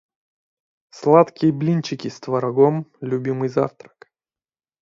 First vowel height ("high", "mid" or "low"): low